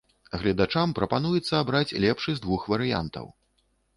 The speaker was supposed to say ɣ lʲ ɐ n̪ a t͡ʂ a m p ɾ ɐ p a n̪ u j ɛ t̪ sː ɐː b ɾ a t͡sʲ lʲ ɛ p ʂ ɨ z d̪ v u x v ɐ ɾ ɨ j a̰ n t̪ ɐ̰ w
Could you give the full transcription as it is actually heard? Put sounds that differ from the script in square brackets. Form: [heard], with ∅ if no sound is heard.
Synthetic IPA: ɣ lʲ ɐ [d̪] a t͡ʂ a m p ɾ ɐ p a n̪ u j ɛ t̪ sː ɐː b ɾ a t͡sʲ lʲ ɛ p ʂ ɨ z d̪ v u x v ɐ ɾ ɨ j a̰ n t̪ ɐ̰ w